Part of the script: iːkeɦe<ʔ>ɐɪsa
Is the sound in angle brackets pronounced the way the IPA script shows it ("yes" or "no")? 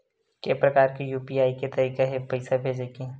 no